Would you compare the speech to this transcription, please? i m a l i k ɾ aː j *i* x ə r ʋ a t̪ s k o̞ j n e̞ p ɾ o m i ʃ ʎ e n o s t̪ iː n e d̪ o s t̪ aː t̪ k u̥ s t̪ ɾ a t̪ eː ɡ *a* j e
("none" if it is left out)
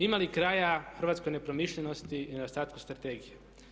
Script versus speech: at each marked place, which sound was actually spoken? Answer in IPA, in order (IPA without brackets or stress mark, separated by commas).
a, i